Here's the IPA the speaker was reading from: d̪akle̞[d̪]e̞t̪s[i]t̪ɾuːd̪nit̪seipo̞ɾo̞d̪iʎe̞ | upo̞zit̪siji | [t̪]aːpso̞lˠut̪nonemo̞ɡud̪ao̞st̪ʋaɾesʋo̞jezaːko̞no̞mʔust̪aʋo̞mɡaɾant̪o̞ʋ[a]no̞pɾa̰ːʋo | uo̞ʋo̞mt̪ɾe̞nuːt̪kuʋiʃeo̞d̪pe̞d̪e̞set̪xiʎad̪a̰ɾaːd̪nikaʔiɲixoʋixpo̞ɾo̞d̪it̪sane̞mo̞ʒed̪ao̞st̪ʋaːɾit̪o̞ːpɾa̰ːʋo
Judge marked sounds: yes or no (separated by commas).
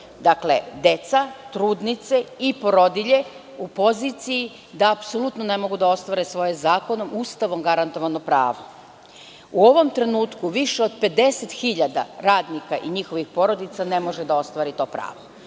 yes, no, no, yes